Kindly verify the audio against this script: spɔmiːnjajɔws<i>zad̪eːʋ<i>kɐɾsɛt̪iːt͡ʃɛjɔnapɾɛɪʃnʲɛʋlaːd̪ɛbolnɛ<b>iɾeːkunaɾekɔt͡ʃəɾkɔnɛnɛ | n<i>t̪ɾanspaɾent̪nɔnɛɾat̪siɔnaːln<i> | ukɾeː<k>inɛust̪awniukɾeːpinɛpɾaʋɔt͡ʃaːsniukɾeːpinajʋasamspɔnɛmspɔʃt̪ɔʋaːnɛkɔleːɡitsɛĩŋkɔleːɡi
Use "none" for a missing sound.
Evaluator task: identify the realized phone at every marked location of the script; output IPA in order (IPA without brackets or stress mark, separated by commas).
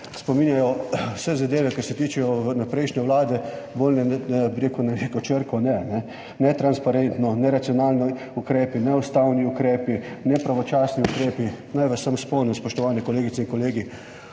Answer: ɛ, ɛ, b, ɛ, i, p